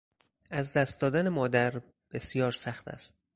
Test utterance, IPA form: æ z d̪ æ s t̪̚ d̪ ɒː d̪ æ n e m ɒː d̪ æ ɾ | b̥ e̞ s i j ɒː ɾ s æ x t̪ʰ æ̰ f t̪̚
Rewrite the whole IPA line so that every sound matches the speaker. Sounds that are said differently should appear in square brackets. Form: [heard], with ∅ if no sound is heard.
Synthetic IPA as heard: æ z d̪ æ s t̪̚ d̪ ɒː d̪ æ n e m ɒː d̪ æ ɾ | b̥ e̞ s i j ɒː ɾ s æ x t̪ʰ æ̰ [s] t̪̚